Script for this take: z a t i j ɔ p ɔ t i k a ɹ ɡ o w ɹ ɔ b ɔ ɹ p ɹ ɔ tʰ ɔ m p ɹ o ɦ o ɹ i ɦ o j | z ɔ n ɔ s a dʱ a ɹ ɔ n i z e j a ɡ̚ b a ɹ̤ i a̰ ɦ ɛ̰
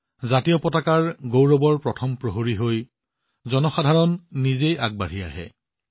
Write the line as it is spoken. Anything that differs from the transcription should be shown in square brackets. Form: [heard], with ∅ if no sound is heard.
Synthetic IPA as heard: z a t i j ɔ p ɔ t [a] k a ɹ ɡ o w ɹ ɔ b ɔ ɹ p ɹ ɔ tʰ ɔ m p ɹ o ɦ o ɹ i ɦ o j | z ɔ n ɔ [x] a dʱ a ɹ ɔ [nː] i z e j a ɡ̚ b a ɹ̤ i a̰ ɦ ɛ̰